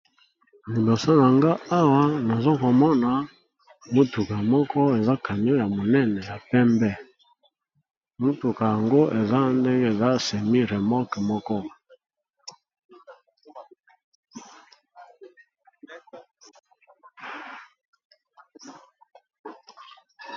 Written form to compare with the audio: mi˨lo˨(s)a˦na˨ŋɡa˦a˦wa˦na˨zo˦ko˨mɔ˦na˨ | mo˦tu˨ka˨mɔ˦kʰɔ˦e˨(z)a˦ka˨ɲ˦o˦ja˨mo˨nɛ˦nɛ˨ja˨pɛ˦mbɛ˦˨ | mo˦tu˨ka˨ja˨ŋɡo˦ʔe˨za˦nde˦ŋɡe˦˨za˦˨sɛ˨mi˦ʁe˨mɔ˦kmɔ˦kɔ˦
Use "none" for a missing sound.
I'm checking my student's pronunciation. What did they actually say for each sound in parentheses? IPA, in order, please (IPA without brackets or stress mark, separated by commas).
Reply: s, z